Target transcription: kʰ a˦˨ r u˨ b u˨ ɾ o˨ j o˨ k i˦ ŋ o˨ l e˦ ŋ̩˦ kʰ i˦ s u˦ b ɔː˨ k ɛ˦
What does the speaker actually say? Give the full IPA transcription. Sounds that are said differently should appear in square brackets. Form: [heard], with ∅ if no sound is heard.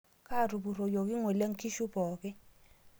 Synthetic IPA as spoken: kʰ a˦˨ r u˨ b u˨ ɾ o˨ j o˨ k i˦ ŋ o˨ l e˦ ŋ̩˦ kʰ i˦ [ʃ] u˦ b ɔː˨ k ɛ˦